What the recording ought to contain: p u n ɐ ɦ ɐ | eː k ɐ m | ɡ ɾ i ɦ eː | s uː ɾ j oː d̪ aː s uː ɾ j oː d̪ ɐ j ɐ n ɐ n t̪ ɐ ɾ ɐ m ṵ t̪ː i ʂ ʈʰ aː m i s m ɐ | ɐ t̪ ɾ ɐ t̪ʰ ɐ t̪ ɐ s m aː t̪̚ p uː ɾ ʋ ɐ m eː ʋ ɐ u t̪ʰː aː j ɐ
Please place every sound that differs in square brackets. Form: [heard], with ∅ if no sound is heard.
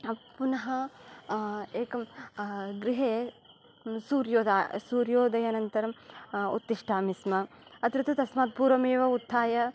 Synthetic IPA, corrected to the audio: p u n ɐ ɦ ɐ | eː k ɐ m | ɡ ɾ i ɦ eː | s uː ɾ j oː d̪ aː s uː ɾ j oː d̪ ɐ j ɐ n ɐ n t̪ ɐ ɾ ɐ m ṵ t̪ː i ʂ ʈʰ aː m i s m ɐ | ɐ t̪ ɾ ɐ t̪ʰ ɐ t̪ ɐ s m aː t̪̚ p uː ɾ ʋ ɐ m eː ʋ ɐ u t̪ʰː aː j ɐ